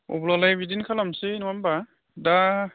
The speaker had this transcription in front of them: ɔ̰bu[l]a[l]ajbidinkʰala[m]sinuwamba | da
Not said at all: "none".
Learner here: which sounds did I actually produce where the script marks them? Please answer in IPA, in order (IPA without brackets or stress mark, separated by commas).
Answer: l, l, m